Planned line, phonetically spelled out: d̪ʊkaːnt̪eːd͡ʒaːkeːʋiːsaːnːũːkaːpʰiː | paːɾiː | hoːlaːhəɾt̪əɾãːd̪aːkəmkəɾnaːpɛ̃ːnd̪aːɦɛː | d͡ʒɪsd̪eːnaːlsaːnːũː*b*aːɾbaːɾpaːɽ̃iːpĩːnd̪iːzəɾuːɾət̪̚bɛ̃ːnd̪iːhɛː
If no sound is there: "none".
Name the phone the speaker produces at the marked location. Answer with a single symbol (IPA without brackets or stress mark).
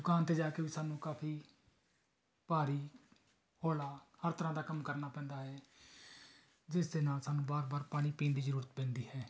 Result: b